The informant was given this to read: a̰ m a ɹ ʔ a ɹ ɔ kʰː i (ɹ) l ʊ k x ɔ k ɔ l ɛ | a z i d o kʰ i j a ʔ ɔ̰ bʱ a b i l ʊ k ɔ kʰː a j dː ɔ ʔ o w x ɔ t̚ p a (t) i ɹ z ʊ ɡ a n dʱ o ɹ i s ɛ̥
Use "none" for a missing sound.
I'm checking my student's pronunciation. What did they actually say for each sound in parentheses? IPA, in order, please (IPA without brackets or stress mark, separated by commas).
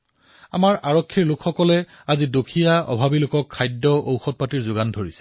ɹ, t